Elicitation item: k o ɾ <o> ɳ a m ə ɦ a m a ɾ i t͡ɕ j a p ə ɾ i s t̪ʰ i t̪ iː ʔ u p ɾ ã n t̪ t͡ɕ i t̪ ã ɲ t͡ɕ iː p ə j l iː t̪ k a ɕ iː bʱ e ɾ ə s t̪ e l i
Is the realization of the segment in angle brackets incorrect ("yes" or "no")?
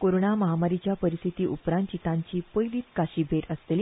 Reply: no